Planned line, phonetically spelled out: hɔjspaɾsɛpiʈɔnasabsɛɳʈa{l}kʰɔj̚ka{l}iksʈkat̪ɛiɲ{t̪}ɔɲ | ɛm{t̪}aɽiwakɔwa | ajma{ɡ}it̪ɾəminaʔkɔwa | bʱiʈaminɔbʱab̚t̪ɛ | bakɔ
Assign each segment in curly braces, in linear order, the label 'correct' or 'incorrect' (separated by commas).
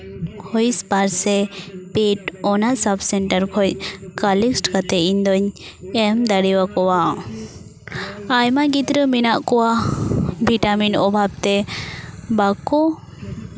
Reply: incorrect, correct, incorrect, incorrect, correct